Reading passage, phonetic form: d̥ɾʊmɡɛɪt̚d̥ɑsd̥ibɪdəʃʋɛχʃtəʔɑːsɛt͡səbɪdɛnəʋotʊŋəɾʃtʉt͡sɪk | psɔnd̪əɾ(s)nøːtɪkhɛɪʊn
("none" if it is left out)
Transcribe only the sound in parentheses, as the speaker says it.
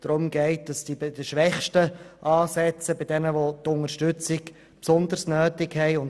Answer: s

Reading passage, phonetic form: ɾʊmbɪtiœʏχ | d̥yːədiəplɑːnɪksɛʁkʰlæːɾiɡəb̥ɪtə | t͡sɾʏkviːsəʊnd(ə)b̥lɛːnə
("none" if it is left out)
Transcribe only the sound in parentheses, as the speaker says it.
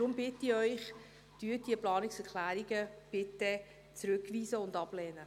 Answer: ɑ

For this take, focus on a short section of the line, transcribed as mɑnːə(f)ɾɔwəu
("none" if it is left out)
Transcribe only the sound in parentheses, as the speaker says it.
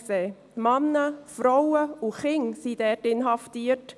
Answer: f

